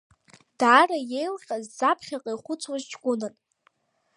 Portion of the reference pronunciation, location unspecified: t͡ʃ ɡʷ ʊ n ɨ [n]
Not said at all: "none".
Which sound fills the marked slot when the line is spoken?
n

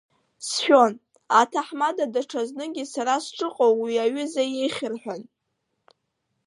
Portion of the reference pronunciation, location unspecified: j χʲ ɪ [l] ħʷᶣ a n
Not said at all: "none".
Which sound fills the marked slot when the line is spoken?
r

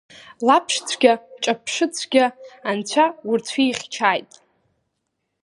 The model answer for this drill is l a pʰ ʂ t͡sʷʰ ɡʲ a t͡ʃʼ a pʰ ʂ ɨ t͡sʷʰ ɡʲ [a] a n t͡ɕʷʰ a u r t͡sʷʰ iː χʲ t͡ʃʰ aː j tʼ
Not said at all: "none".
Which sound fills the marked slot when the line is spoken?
a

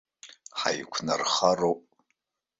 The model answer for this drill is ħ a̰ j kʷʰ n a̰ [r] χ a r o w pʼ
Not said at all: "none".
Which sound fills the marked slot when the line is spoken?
r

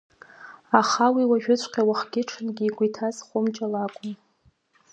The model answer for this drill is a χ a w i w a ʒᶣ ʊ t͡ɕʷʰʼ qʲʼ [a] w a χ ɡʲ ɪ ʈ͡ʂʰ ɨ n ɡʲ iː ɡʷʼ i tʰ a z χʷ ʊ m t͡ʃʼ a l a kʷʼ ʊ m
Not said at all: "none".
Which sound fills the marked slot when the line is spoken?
a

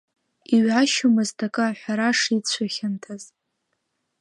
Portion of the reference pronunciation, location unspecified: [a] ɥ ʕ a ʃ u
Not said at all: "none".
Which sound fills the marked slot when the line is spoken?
i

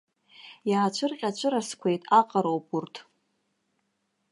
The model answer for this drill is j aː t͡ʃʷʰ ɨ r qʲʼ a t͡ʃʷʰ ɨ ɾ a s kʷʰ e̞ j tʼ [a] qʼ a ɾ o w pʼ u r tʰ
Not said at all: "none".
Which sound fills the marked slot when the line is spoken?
a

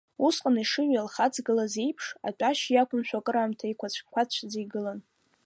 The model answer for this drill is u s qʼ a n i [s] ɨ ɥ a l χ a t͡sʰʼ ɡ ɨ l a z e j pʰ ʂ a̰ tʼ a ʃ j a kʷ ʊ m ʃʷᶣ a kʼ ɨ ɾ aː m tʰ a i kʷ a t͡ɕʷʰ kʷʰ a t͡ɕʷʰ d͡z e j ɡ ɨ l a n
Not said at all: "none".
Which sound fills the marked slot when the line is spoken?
ʂ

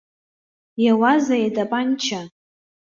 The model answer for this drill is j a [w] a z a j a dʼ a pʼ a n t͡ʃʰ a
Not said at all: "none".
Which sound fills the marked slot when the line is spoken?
w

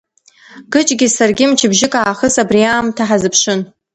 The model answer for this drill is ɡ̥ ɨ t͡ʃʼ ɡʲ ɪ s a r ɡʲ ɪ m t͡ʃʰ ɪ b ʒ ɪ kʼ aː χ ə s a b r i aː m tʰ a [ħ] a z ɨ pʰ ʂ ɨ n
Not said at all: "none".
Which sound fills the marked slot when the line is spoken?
ħ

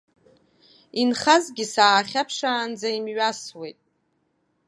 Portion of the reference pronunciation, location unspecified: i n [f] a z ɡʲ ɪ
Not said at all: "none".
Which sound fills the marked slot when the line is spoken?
χ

